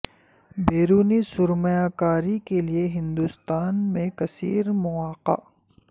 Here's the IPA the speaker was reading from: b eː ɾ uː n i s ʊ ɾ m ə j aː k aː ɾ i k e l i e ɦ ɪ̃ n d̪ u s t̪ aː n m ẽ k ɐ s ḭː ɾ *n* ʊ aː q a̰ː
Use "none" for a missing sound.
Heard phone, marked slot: m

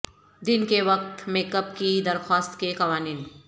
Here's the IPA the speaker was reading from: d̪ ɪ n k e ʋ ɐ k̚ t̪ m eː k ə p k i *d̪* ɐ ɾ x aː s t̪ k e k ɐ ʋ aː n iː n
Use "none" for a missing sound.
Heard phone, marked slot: d̪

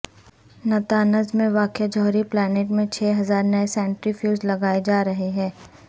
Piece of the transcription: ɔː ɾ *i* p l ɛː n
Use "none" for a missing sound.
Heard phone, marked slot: i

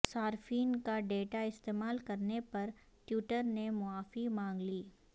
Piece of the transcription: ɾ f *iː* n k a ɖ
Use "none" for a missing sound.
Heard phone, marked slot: iː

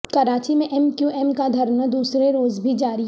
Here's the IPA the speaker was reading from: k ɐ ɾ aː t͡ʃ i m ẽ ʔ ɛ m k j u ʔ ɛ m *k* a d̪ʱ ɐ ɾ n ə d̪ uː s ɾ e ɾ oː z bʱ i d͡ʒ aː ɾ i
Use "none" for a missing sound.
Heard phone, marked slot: k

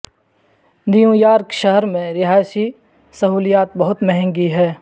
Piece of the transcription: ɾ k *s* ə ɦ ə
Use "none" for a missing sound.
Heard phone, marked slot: ʃ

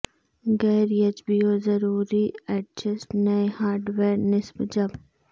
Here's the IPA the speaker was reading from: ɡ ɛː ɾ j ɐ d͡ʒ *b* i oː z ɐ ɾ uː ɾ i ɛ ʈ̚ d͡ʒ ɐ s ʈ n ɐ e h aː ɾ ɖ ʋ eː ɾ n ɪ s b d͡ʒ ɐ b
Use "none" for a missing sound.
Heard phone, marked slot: b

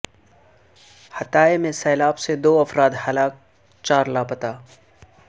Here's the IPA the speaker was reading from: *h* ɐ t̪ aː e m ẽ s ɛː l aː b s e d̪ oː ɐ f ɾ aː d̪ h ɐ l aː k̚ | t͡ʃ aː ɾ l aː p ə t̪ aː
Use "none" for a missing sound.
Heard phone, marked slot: h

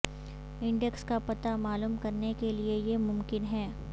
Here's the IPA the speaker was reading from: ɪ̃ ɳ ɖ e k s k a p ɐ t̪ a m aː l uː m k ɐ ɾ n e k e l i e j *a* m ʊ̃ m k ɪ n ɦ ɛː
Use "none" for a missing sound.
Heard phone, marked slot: e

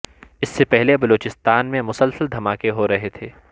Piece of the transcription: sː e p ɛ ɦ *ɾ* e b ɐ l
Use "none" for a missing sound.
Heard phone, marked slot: l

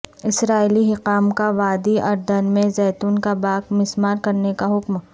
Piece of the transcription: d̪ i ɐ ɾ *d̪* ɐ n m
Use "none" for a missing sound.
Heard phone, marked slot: d̪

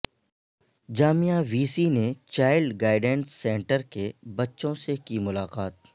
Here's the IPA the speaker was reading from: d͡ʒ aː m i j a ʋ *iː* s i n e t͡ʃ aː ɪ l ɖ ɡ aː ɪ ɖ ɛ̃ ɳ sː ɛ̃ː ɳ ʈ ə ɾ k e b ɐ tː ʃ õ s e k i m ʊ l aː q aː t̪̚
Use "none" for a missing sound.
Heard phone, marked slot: iː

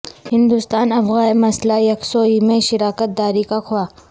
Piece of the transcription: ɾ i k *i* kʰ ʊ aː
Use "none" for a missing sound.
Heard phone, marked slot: a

